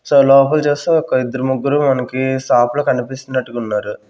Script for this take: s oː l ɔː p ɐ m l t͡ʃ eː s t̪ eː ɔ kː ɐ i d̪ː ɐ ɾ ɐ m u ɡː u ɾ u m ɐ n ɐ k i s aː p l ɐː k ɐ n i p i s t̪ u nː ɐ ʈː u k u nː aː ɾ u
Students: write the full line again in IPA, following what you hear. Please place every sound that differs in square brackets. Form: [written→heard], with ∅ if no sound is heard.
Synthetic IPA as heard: s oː l ɔː p ɐ [m→∅] l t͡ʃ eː s t̪ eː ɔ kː ɐ i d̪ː ɐ ɾ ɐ m u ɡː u ɾ u m ɐ n ɐ k i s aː p l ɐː k ɐ n i p i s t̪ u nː ɐ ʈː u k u nː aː ɾ u

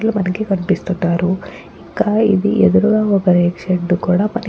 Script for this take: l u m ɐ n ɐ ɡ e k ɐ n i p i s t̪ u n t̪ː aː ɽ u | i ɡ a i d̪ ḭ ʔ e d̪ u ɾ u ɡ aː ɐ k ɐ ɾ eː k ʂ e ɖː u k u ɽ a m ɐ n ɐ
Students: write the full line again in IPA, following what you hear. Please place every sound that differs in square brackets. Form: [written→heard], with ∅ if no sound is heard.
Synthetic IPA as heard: l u m ɐ n ɐ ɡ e k ɐ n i p i s t̪ u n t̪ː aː [ɽ→ɾ] u | i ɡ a i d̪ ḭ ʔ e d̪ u ɾ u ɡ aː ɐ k ɐ ɾ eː k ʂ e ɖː u k [u→uː] ɽ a m ɐ n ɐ

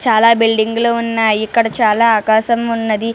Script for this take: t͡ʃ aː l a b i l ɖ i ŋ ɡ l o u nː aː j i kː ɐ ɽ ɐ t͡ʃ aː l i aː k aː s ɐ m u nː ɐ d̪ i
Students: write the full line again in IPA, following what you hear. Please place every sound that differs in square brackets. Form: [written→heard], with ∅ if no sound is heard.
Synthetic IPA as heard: t͡ʃ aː l a b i l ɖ i ŋ ɡ l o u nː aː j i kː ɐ ɽ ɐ t͡ʃ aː l [i→a] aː k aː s ɐ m u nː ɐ d̪ i

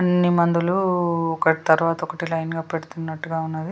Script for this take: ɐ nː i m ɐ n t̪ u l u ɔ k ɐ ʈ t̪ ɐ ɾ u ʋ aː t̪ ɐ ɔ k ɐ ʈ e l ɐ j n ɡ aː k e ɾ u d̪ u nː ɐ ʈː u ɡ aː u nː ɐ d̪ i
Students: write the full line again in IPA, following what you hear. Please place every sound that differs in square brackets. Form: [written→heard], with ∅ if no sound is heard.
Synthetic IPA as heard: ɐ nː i m ɐ n [t̪→d̪] u l u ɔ k ɐ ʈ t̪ ɐ ɾ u ʋ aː t̪ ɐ ɔ k ɐ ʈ [e→i] l ɐ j n ɡ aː [k→p] e [ɾ→ɽ] u [d̪→t̪] u nː ɐ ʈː u ɡ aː u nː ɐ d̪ i

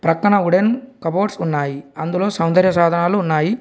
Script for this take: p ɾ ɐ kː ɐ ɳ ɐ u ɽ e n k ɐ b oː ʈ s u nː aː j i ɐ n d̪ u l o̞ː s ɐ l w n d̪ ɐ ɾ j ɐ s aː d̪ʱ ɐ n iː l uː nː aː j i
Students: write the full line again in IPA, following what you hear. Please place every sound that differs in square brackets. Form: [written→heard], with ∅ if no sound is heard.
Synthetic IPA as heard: p ɾ ɐ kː ɐ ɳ ɐ u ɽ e n k ɐ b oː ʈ s u nː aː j i ɐ n d̪ u l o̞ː s ɐ [l→∅] w n d̪ ɐ ɾ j ɐ s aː d̪ʱ ɐ n [iː→aː] l uː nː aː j i

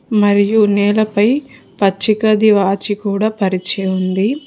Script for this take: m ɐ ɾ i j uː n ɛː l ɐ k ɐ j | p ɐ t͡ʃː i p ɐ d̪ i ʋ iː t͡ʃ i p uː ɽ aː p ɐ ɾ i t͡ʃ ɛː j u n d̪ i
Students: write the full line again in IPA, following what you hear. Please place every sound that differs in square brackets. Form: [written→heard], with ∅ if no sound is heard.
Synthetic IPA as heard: m ɐ ɾ i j [uː→u] n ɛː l ɐ [k→p] ɐ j | p ɐ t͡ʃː i [p→k] ɐ d̪ i ʋ [iː→aː] t͡ʃ i [p→k] uː ɽ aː p ɐ ɾ i t͡ʃ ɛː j u n d̪ i

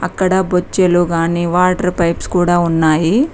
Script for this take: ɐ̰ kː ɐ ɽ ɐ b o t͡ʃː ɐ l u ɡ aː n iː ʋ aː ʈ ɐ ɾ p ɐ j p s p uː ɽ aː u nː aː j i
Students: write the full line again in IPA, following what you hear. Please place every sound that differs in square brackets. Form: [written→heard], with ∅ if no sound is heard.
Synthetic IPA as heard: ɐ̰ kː ɐ ɽ ɐ b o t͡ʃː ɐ l u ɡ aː n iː ʋ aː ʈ ɐ ɾ p ɐ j p s [p→k] uː ɽ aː u nː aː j i

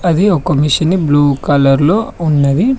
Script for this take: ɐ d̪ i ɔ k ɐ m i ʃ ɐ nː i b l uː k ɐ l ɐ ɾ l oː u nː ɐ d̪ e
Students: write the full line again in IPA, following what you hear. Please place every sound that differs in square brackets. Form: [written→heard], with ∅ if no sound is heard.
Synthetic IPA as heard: ɐ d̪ i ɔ k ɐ m i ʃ ɐ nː i b l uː k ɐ l ɐ ɾ l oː u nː ɐ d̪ [e→i]

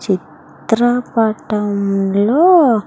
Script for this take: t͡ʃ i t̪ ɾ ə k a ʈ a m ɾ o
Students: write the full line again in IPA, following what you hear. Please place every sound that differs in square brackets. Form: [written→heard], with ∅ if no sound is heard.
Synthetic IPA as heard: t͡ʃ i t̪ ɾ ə [k→p] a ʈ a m [ɾ→l] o

